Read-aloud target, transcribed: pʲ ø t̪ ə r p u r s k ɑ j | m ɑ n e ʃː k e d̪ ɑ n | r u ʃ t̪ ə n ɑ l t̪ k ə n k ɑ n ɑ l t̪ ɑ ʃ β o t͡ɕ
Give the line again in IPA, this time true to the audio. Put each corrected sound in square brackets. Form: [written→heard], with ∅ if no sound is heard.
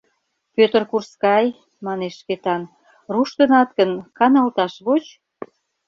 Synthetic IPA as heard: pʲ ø t̪ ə r [p→k] u r s k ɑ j | m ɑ n e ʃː k e [d̪→t̪] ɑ n | r u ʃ t̪ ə n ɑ [l→∅] t̪ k ə n k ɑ n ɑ l t̪ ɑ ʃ β o t͡ɕ